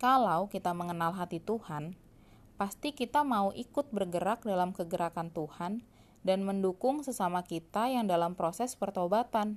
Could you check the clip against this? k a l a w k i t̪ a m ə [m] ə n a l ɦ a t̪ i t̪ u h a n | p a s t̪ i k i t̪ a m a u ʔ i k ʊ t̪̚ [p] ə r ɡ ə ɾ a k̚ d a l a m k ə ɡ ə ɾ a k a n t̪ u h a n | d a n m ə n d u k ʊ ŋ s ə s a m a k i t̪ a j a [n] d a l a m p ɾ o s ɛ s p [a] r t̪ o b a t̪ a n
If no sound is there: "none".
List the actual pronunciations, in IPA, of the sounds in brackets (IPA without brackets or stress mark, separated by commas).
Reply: ŋ, b, ŋ, ə